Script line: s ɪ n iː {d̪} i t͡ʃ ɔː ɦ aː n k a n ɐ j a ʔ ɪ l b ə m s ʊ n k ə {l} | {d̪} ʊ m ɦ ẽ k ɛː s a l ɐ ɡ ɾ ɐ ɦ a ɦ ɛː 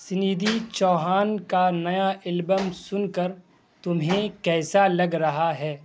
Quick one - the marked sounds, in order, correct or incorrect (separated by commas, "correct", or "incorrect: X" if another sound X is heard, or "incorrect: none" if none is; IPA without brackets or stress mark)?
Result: correct, incorrect: ɾ, incorrect: t̪